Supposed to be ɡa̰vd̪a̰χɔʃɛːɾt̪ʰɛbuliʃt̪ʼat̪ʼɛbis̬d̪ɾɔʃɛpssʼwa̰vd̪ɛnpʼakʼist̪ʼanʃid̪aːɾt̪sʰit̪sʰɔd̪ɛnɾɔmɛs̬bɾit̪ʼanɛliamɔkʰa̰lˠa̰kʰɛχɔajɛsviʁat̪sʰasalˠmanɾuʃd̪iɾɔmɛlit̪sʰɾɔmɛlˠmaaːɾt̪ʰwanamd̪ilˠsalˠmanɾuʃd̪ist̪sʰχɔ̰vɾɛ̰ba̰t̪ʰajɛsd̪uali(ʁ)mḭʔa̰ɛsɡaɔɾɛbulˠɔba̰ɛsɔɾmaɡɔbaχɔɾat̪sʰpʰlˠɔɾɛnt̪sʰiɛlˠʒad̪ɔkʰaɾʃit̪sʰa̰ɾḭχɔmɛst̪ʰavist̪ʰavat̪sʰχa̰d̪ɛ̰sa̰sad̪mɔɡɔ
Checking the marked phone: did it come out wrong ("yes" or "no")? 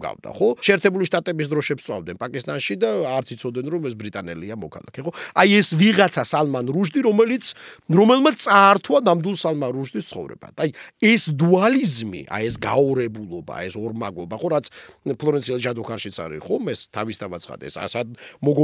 yes